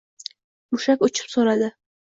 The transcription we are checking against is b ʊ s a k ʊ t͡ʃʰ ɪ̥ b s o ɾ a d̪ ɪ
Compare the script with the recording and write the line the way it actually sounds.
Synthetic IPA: m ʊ ʃ a k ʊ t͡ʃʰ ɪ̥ p s o ɾ a d̪ ɪ